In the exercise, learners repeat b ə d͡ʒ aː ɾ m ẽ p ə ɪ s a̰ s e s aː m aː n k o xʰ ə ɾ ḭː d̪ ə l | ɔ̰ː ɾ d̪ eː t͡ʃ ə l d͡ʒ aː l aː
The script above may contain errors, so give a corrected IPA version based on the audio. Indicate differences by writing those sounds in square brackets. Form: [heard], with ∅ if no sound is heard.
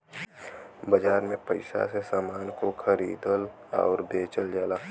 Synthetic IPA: b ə d͡ʒ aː ɾ m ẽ p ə ɪ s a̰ s e s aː m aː n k o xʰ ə ɾ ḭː d̪ ə l | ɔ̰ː ɾ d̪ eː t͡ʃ ə l d͡ʒ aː l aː